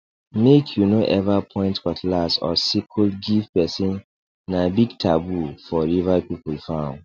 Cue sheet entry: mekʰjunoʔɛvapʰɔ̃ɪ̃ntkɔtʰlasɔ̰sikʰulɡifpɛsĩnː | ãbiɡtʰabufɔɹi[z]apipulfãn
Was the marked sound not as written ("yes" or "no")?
yes